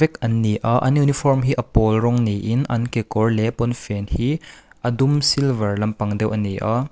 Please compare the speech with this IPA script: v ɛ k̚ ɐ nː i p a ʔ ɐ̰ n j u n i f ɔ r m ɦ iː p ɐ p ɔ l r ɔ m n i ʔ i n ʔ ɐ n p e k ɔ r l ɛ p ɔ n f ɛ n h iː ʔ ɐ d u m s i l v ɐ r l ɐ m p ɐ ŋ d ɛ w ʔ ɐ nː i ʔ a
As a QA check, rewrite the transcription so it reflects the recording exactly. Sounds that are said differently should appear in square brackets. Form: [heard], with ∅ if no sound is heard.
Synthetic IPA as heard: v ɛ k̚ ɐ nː i [ʔ] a ʔ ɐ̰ n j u n i f ɔ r m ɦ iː [ʔ] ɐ p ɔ l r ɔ [ŋ] n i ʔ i n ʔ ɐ n [k] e k ɔ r l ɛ p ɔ n f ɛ n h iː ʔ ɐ d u m s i l v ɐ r l ɐ m p ɐ ŋ d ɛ w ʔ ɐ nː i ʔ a